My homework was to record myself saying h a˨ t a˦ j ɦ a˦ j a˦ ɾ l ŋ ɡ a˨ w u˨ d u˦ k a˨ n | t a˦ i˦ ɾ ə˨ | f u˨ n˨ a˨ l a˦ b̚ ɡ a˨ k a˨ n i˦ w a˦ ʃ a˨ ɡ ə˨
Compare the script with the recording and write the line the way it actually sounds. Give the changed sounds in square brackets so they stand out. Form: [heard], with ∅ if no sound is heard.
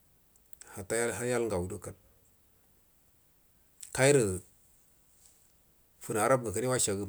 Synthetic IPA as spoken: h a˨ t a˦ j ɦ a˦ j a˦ [∅] l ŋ ɡ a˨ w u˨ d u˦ k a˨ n | [k] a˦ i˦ ɾ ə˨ | f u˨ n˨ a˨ [ɾ] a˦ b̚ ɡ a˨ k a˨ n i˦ w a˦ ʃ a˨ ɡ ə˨